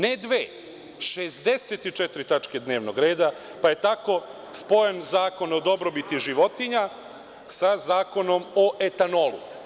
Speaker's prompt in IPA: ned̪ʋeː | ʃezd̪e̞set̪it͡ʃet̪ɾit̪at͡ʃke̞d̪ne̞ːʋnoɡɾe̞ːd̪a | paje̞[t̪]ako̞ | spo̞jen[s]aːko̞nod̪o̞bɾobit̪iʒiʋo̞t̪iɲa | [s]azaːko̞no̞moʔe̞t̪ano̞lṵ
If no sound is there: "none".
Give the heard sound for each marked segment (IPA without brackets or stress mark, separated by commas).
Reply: t̪, z, s